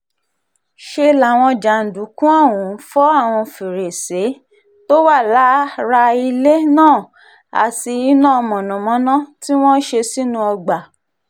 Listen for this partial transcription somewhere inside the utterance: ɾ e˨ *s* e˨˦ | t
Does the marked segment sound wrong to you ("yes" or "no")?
no